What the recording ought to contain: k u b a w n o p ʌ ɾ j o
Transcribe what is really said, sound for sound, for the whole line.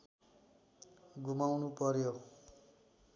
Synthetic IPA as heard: ɡ u m a w n u p ʌ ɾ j o